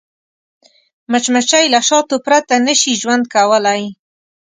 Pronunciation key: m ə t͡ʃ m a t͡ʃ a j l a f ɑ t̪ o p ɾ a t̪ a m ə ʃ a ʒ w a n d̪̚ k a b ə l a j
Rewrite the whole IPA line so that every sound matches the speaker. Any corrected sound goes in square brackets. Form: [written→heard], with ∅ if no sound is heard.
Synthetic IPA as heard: m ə t͡ʃ m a t͡ʃ a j l a [f→ʃ] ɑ t̪ o p ɾ a t̪ a [m→n] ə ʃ [a→i] ʒ w a n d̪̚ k a [b→w] ə l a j